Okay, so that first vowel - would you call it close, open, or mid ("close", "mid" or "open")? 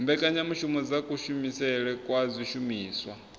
mid